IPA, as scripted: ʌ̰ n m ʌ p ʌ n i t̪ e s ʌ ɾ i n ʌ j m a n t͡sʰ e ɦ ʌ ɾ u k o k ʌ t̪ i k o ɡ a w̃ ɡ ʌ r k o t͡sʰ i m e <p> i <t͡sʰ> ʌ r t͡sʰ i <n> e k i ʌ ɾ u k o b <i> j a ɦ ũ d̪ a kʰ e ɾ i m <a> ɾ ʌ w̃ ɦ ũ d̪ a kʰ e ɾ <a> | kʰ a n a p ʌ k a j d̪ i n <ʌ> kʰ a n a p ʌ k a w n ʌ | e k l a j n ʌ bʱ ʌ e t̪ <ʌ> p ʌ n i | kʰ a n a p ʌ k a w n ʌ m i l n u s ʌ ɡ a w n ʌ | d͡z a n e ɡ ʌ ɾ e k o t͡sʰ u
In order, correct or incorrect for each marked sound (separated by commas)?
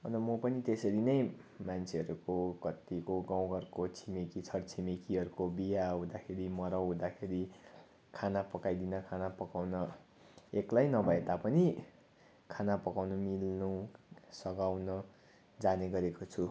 incorrect, correct, incorrect, correct, incorrect, incorrect, correct, incorrect